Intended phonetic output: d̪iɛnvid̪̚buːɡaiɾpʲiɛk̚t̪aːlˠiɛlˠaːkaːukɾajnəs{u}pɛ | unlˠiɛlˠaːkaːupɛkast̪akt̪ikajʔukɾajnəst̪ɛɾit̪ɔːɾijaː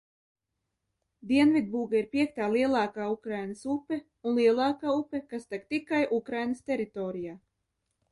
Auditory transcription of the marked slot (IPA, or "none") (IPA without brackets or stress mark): u